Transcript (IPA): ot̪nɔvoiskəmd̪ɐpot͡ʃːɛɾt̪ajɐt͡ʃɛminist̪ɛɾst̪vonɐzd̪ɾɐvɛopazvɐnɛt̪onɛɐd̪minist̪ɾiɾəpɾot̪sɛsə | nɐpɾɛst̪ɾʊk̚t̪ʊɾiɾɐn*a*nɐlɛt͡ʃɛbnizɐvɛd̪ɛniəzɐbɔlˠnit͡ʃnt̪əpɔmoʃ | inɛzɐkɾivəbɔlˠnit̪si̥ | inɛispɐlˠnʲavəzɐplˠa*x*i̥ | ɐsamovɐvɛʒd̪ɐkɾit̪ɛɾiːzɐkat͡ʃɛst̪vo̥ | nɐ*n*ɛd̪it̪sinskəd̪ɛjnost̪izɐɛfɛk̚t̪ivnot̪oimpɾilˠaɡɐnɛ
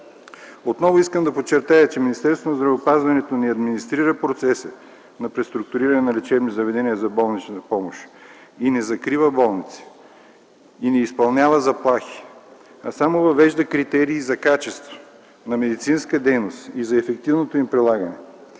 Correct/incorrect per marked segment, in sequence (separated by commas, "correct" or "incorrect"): incorrect, correct, incorrect